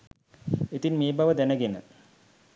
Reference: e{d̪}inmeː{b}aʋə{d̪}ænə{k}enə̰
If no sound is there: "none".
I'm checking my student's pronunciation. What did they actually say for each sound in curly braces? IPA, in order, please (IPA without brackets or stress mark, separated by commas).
t̪, b, d̪, ɡ